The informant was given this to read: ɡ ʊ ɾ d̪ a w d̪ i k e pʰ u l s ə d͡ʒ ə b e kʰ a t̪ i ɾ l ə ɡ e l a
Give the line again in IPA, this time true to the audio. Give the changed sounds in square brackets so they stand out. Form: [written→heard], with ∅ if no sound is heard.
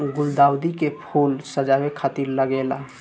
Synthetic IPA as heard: ɡ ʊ [ɾ→l] d̪ a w d̪ i k e pʰ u l s ə d͡ʒ [ə→a] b e kʰ a t̪ i ɾ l ə ɡ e l a